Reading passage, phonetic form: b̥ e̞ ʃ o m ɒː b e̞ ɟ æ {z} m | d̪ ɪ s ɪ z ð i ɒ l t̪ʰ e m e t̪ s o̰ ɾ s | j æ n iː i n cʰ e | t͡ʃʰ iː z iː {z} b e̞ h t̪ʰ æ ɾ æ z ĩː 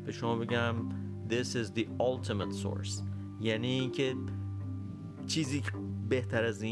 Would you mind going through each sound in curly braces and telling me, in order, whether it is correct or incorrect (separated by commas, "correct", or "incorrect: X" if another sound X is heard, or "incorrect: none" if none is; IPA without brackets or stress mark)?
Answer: incorrect: none, incorrect: none